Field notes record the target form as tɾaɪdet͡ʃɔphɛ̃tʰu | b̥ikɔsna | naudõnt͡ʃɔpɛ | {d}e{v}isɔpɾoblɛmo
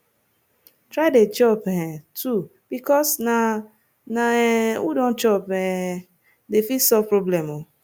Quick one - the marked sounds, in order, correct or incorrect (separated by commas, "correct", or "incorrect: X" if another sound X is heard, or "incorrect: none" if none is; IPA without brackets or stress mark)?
correct, incorrect: f